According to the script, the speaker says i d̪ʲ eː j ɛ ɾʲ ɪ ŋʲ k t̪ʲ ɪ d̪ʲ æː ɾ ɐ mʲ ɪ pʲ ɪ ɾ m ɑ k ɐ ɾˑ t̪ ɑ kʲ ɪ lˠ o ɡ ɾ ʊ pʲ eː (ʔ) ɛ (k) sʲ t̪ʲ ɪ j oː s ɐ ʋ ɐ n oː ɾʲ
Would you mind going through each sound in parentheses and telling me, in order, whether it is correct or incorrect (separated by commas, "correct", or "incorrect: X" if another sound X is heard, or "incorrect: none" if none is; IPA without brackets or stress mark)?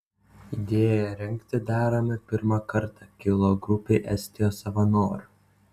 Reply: correct, incorrect: none